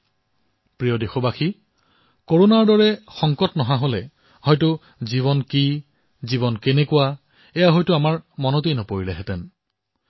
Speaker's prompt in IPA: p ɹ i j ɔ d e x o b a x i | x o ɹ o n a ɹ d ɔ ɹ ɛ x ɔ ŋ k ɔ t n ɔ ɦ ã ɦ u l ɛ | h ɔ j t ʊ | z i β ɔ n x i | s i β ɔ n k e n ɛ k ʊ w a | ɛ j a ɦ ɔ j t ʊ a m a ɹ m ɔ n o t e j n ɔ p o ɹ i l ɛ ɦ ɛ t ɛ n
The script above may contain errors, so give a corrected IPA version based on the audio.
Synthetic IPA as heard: p ɹ i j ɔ d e x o b a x i | k o ɹ o n a ɹ d ɔ ɹ ɛ x ɔ ŋ k ɔ t n ɔ ɦ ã ɦ o l ɛ | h ɔ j t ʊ | z i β ɔ n k i | z i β ɔ n k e n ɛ k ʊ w a | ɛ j a ɦ ɔ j t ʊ a m a ɹ m ɔ n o t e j n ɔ p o ɹ i l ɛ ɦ ɛ t ɛ n